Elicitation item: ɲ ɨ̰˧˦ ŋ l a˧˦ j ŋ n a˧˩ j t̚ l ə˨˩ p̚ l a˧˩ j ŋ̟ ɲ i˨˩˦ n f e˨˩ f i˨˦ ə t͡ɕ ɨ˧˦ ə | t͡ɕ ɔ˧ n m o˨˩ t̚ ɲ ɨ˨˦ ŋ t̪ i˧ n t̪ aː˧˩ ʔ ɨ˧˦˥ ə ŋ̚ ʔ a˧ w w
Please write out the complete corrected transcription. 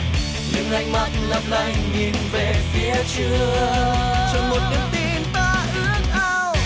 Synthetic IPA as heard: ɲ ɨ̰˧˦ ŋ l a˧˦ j ŋ m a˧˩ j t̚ l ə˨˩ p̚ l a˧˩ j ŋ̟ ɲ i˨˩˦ n v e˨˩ f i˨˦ ə t͡ɕ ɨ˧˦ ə | t͡ɕ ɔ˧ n m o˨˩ t̚ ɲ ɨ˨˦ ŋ t̪ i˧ n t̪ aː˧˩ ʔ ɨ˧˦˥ ə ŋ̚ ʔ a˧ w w